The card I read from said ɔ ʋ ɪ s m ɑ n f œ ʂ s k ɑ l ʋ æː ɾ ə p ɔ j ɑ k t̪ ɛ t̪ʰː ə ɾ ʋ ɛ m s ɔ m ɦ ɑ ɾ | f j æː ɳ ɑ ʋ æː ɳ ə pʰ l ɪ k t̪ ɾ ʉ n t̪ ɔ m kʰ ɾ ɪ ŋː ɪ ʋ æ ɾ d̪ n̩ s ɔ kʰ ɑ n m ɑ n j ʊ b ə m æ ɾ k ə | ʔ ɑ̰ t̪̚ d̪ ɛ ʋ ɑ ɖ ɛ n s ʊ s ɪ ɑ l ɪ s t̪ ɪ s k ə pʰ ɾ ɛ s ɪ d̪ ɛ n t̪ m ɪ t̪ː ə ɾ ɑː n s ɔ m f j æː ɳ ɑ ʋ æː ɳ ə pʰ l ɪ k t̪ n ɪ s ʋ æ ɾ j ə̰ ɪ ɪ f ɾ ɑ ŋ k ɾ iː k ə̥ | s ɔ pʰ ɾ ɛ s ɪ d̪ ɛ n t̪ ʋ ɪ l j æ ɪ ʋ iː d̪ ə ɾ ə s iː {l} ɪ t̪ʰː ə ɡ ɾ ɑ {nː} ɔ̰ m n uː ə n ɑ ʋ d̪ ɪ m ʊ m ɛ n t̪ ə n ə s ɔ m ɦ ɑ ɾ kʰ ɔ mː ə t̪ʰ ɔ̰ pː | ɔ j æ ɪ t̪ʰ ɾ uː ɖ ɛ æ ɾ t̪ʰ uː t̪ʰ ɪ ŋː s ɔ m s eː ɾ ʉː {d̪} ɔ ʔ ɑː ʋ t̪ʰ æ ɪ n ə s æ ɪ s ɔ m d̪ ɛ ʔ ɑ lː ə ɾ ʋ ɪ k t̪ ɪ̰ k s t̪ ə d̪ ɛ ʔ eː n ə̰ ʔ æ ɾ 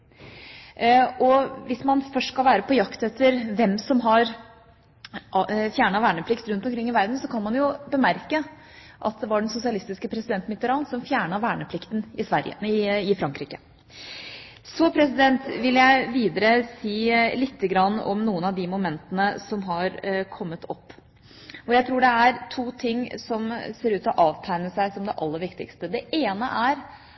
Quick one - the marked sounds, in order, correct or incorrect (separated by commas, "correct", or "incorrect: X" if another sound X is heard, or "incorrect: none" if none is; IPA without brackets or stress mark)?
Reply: correct, correct, incorrect: t̪